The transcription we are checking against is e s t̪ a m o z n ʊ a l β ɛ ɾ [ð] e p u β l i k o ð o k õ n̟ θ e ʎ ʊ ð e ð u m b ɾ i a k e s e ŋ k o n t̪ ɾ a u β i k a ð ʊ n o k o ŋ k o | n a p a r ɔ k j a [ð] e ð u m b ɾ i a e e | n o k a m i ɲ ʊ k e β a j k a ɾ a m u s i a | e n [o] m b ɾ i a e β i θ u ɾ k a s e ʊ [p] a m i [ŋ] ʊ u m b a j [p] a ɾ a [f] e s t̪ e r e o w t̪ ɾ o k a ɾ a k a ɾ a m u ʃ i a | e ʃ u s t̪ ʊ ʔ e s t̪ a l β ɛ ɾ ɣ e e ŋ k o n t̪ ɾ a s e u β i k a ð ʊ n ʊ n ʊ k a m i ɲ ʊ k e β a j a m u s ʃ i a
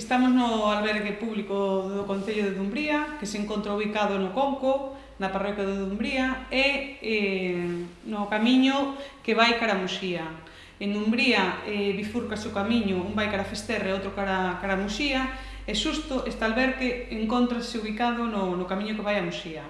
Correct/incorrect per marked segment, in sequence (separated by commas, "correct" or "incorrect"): incorrect, correct, incorrect, incorrect, incorrect, incorrect, correct